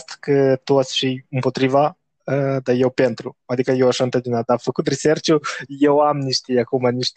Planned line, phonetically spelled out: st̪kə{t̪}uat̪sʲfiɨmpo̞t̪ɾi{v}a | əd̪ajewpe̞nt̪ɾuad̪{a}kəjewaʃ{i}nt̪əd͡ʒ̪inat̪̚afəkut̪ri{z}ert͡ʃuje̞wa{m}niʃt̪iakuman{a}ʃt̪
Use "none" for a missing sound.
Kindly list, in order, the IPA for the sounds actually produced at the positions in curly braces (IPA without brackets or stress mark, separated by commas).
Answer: t̪, v, i, a, s, m, i